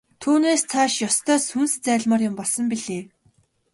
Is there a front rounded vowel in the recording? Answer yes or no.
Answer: yes